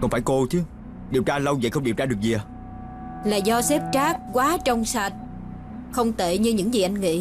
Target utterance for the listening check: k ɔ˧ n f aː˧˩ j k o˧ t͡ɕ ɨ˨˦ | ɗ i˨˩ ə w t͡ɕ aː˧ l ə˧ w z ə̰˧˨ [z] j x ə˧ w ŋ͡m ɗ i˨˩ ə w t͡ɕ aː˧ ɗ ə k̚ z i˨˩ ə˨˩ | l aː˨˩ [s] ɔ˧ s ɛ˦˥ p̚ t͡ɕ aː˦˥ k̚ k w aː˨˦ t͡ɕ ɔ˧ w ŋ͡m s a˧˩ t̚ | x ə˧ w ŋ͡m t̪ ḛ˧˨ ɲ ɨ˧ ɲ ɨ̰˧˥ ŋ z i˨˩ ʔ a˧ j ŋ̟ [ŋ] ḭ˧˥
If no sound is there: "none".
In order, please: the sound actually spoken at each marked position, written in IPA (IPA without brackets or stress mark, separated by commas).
none, z, ŋ